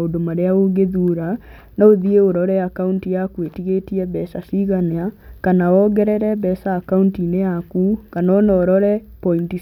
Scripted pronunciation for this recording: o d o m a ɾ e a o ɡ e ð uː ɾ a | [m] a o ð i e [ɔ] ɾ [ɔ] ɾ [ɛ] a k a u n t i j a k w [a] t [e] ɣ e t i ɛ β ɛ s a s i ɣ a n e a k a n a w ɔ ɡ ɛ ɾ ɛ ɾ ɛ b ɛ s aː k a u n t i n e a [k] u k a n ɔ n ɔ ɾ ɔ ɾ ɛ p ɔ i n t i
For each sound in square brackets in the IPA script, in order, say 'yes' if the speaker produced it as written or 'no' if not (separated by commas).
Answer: no, no, yes, yes, no, no, yes